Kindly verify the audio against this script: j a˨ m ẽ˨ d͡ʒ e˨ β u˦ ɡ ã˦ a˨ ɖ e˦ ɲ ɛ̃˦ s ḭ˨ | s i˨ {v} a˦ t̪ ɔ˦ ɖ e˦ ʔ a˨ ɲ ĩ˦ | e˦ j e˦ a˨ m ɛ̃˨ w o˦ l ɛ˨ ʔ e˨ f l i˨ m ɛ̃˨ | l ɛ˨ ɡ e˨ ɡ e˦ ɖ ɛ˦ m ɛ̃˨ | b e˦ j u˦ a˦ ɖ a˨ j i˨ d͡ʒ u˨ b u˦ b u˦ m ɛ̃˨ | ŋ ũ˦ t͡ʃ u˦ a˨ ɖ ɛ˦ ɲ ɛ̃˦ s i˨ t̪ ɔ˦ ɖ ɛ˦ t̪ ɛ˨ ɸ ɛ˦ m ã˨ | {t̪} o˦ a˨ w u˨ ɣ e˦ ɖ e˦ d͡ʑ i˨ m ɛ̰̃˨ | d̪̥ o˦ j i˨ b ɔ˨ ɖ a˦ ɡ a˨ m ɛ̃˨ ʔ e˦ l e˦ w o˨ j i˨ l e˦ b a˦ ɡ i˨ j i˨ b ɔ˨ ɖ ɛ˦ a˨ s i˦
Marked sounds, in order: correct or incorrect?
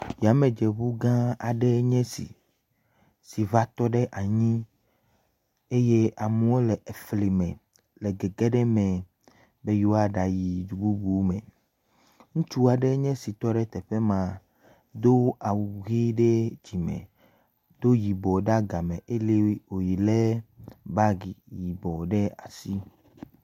correct, incorrect: d̪

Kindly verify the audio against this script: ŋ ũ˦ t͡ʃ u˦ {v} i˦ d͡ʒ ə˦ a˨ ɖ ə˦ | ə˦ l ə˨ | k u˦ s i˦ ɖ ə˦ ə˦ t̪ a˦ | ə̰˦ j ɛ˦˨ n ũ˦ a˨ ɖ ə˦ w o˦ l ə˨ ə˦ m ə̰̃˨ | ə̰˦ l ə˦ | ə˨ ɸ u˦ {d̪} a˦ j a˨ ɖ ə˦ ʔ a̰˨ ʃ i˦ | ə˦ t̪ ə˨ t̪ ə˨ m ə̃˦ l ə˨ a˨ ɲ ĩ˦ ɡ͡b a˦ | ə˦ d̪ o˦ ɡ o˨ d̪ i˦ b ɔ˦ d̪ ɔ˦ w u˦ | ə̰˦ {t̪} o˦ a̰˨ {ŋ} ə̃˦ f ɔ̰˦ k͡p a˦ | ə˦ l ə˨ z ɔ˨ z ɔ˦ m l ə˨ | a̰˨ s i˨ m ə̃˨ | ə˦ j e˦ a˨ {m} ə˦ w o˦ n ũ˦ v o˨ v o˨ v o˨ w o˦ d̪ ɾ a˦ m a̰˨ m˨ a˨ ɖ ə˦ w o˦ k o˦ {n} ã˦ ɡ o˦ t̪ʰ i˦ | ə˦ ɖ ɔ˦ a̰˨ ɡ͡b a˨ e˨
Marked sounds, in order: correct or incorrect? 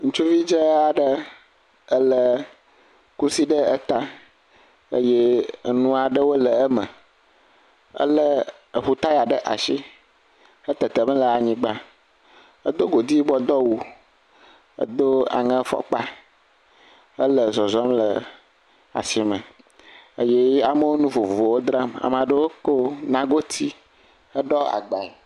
correct, incorrect: t̪, incorrect: d̪, correct, correct, correct

